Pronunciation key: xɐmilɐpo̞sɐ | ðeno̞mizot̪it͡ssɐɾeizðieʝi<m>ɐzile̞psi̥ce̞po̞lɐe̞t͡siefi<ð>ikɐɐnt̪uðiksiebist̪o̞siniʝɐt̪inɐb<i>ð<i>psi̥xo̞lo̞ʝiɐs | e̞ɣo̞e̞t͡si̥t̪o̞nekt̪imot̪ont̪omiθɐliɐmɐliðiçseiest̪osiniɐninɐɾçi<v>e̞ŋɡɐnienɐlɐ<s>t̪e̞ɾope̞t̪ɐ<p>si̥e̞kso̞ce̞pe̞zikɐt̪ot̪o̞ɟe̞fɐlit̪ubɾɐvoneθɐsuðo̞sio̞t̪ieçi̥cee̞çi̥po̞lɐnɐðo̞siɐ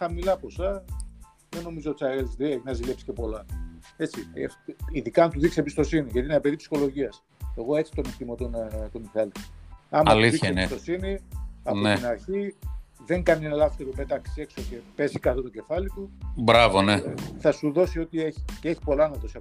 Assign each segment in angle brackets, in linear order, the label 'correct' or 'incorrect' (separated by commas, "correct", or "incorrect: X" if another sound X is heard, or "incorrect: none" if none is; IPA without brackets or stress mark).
incorrect: n, correct, incorrect: e, correct, incorrect: ð, incorrect: f, incorrect: k